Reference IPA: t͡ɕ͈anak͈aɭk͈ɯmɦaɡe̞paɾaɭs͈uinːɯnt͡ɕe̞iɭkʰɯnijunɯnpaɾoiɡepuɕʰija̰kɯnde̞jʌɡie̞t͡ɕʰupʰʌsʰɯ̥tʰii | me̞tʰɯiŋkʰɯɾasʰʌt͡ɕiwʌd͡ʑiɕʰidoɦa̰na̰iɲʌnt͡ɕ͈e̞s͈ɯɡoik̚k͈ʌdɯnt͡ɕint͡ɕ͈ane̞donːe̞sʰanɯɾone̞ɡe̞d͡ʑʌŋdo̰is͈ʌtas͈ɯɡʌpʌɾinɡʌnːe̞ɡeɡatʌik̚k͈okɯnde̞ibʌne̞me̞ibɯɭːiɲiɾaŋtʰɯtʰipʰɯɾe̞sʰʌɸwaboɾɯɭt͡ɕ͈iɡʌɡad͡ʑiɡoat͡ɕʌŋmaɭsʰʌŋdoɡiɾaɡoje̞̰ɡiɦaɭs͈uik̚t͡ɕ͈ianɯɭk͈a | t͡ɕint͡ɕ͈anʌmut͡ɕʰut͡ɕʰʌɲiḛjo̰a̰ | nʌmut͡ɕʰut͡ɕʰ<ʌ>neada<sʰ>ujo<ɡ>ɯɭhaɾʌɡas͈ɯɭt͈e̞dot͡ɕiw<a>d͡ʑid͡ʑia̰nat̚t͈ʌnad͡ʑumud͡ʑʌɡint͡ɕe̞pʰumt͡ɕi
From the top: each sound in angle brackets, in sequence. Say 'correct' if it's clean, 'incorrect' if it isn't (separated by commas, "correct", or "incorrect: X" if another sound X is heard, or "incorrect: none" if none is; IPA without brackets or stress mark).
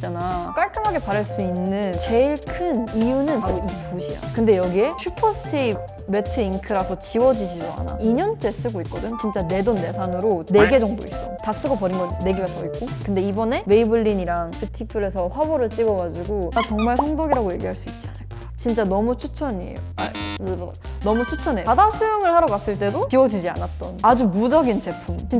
correct, correct, incorrect: ŋ, incorrect: ʌ